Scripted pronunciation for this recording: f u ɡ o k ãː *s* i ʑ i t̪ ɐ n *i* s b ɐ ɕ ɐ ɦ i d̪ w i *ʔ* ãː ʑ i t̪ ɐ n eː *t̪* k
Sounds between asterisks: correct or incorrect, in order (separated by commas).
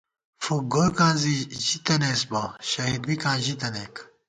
incorrect, incorrect, incorrect, incorrect